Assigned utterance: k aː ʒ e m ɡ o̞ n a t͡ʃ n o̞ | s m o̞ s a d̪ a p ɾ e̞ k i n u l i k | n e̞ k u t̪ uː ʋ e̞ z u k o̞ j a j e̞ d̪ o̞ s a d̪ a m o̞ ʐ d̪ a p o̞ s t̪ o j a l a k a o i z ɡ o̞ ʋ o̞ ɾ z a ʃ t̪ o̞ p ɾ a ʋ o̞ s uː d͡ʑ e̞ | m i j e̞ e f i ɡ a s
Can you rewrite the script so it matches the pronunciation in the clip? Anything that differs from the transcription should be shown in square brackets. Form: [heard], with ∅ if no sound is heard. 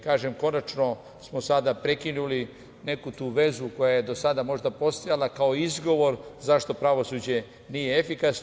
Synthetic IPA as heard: k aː ʒ e m [k] o̞ n a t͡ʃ n o̞ | s m o̞ s a d̪ a p ɾ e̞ k i n u l i [∅] | n e̞ k u t̪ uː ʋ e̞ z u k o̞ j a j e̞ d̪ o̞ s a d̪ a m o̞ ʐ d̪ a p o̞ s t̪ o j a l a k a o i z ɡ o̞ ʋ o̞ ɾ z a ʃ t̪ o̞ p ɾ a ʋ o̞ s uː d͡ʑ e̞ | [n] i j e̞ e f i [k] a s